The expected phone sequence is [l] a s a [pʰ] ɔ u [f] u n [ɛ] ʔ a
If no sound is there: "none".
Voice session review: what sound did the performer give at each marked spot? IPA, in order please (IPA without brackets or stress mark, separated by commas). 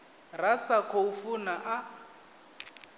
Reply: r, kʰ, f, a